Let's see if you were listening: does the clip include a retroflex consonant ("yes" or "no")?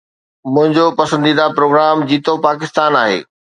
no